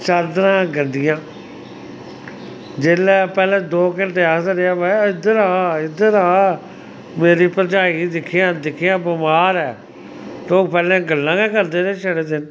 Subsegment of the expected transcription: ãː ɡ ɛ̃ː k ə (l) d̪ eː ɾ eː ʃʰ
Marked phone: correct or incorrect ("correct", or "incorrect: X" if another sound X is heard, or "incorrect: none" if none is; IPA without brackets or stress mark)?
incorrect: ɾ